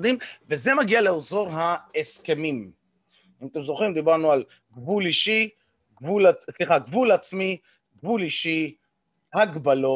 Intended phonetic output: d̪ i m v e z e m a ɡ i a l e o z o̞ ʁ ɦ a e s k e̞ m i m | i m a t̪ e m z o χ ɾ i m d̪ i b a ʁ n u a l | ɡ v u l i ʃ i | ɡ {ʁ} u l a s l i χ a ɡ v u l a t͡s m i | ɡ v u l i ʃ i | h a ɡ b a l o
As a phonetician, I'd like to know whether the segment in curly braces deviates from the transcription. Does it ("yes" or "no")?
yes